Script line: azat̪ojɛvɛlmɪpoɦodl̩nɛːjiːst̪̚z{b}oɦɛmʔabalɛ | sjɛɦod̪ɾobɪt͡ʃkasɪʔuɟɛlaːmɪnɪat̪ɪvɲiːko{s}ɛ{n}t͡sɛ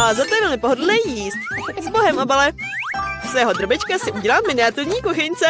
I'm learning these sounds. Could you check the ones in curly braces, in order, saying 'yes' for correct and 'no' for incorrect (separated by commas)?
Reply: yes, no, no